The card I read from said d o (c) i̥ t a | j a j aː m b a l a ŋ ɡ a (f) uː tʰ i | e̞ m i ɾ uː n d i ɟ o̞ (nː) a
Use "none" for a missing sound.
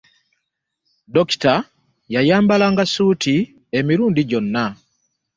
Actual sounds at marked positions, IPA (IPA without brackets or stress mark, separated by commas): k, s, nː